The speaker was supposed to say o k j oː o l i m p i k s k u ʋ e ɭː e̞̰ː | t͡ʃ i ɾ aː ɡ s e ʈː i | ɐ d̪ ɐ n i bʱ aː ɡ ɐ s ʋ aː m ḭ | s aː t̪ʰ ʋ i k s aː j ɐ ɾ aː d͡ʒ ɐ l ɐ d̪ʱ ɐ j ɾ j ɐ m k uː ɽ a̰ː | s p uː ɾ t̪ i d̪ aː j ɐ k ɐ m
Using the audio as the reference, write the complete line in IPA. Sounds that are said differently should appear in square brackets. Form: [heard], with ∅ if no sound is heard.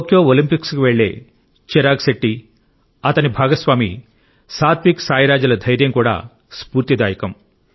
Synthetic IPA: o k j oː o l i m p i k s k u ʋ e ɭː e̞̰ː | t͡ʃ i ɾ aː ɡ s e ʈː i | ɐ [t̪] ɐ n i bʱ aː ɡ ɐ s ʋ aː m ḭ | s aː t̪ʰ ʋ i k s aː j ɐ ɾ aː d͡ʒ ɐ l ɐ d̪ʱ ɐ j ɾ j ɐ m k uː ɽ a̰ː | s p uː ɾ t̪ i d̪ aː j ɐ k ɐ m